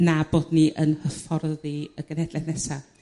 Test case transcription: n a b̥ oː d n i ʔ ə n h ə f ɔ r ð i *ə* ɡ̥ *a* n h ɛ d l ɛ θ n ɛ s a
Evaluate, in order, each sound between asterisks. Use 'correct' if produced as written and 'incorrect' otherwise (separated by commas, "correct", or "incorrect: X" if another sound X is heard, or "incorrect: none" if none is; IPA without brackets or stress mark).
correct, incorrect: ə